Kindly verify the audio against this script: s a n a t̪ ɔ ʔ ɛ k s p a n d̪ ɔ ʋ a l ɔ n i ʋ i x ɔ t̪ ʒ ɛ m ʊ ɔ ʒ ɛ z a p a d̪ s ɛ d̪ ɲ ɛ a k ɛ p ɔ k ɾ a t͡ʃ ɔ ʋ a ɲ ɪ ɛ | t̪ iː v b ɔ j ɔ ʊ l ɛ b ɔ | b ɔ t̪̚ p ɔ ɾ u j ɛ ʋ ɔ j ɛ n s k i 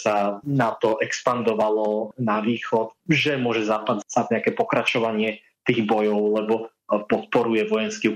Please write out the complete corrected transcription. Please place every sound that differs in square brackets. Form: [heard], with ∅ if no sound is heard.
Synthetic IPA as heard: s a n a t̪ ɔ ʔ ɛ k s p a n d̪ ɔ ʋ a l ɔ n [a] ʋ [iː] x ɔ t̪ ʒ ɛ m ʊ ɔ ʒ ɛ z a p a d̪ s [a] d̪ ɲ ɛ a k ɛ p ɔ k ɾ a t͡ʃ ɔ ʋ a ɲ ɪ ɛ | t̪ iː [ɣ] b ɔ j ɔ ʊ l ɛ b ɔ | [p] ɔ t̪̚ p ɔ ɾ u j ɛ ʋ ɔ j ɛ n s k i